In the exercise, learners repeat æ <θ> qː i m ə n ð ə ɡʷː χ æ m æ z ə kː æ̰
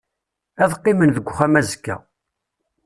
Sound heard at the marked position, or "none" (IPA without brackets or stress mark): ð